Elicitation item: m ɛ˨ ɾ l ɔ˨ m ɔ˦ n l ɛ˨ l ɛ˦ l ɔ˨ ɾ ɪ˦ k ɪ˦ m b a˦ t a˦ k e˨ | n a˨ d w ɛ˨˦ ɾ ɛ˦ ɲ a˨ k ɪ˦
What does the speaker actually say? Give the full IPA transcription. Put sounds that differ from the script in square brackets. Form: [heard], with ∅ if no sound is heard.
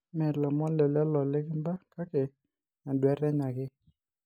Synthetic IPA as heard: m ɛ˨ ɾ l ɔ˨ m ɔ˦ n l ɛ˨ l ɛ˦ l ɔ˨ [l] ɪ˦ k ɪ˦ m b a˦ [k] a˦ k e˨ | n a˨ d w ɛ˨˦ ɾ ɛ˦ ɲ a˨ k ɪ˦